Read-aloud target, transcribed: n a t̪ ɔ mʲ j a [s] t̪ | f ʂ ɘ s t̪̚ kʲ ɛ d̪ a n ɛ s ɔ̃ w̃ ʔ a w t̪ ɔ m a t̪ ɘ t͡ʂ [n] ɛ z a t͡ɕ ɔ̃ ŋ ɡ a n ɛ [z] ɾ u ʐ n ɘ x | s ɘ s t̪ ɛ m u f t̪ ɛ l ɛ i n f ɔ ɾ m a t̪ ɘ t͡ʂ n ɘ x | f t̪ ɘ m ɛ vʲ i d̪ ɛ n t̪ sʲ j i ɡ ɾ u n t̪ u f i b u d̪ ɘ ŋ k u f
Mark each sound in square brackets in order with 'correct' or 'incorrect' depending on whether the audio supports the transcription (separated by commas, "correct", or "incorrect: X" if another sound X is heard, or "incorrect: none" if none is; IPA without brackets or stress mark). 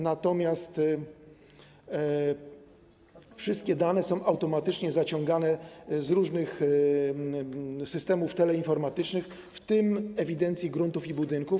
correct, incorrect: ɲ, correct